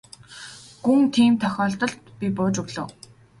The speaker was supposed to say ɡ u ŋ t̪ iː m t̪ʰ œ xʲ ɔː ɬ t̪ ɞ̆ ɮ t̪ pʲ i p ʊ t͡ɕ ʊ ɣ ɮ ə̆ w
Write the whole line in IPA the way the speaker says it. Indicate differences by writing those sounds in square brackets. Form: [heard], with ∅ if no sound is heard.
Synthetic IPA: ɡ u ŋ [t̪ʰ] iː m t̪ʰ œ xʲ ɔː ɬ t̪ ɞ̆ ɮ t̪ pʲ i p [ʊː] t͡ɕ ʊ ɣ ɮ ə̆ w